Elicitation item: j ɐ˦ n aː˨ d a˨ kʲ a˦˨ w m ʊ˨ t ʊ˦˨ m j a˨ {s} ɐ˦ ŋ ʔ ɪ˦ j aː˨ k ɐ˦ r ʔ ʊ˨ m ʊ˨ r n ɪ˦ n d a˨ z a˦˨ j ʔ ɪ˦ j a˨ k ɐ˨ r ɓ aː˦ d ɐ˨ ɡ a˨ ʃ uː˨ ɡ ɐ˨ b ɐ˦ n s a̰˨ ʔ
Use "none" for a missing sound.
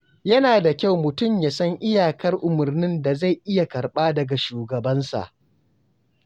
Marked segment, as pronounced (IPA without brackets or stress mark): s